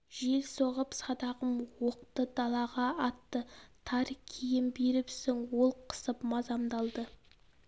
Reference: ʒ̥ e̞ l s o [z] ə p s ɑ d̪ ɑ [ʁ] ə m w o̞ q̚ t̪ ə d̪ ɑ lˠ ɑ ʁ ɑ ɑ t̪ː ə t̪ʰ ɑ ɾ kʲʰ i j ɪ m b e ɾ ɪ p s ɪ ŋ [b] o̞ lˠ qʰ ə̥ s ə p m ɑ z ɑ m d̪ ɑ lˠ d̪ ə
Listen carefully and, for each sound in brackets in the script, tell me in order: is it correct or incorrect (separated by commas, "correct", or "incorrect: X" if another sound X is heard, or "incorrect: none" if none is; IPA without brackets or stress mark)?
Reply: incorrect: ʁ, correct, incorrect: w